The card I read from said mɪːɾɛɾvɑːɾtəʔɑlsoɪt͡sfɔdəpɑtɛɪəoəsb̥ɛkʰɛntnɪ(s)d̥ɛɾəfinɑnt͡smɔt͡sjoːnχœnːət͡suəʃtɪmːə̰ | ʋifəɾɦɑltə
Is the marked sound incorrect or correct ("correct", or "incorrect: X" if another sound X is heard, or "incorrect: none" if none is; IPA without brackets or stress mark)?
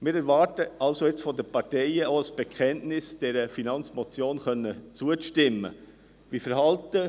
correct